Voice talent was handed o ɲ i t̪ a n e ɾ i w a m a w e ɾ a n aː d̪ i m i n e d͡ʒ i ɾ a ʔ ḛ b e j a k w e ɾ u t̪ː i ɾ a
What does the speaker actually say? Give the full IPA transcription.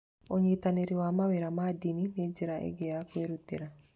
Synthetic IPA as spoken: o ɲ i t̪ a n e ɾ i w a m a w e ɾ a m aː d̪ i n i n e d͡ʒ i ɾ a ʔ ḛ ɡ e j a k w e ɾ u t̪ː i ɾ a